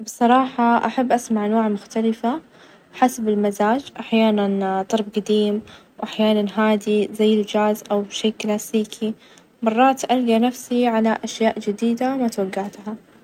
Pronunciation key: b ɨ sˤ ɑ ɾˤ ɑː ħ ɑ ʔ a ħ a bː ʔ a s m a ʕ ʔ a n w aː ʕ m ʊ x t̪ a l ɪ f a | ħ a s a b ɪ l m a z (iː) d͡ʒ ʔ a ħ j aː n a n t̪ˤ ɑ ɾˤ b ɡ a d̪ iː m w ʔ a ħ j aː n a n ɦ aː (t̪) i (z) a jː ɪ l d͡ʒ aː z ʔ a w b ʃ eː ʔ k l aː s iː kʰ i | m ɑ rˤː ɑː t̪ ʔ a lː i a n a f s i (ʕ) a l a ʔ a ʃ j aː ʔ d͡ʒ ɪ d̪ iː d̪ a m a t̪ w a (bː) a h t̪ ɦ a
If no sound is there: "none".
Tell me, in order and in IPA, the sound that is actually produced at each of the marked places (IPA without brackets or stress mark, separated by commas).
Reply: aː, d̪, z, ʕ, ɡː